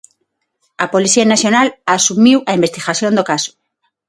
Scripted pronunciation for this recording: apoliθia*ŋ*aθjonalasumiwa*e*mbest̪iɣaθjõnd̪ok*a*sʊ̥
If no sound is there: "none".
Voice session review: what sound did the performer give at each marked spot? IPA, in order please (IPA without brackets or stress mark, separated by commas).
n, i, a